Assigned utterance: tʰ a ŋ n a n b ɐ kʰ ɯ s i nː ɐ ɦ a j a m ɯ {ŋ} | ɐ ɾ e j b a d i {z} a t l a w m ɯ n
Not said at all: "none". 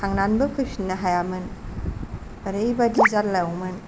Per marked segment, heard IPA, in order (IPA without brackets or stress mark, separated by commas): n, z